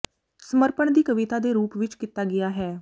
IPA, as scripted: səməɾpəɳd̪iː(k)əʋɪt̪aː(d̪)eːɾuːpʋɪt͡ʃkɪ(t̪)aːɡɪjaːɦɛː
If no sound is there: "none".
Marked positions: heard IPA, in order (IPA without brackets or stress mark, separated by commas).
k, d̪, t̪